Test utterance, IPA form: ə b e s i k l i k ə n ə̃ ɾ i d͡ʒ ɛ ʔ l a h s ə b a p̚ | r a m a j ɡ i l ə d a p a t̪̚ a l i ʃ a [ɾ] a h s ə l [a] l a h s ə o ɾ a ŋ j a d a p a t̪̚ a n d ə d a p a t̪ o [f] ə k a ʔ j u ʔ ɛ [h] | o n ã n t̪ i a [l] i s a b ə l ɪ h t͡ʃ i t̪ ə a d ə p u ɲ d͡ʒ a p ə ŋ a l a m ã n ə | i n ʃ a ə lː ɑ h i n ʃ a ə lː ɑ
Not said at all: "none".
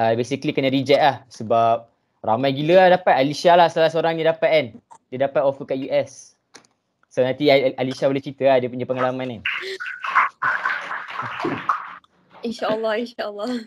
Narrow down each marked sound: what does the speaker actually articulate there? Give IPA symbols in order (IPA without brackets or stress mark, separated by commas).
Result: l, a, f, s, l